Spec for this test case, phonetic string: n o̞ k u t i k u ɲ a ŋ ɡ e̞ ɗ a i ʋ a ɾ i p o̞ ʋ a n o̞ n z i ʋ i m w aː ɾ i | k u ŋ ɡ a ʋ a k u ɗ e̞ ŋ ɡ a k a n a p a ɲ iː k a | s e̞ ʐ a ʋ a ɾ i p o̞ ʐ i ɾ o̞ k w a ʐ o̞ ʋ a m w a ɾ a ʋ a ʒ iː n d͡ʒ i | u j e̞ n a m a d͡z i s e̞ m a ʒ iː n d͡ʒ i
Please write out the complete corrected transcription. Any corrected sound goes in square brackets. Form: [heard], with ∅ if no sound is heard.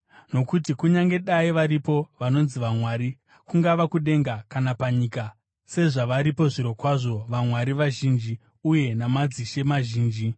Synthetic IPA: n o̞ k u t i k u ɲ a ŋ ɡ e̞ ɗ a i ʋ a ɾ i p o̞ ʋ a n o̞ n z i ʋ [a] m w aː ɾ i | k u ŋ ɡ a ʋ a k u ɗ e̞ ŋ ɡ a k a n a p a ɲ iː k a | s e̞ ʐ a ʋ a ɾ i p o̞ ʐ i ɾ o̞ k w a ʐ o̞ ʋ a m w a ɾ [i] ʋ a ʒ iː n d͡ʒ i | u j e̞ n a m a d͡z i [ʃ] e̞ m a ʒ iː n d͡ʒ i